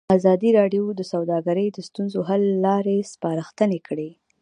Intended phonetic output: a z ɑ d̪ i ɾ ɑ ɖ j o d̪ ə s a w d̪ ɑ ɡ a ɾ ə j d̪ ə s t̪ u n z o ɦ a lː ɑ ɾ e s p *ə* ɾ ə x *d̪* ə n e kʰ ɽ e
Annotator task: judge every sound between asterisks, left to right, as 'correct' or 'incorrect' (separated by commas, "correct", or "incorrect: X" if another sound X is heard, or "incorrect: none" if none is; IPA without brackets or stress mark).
incorrect: ɑ, incorrect: t̪